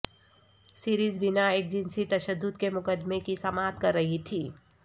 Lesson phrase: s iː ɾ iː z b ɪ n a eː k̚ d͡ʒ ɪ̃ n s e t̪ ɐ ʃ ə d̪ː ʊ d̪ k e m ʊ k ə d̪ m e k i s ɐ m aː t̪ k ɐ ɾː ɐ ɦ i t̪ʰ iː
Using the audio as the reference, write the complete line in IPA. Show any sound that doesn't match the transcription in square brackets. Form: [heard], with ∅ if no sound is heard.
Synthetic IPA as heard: s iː ɾ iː z b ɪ n a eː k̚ d͡ʒ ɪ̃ n s [i] t̪ ɐ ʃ ə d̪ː ʊ d̪ k e m ʊ k ə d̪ m e k i s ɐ m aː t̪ k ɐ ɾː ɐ ɦ i t̪ʰ iː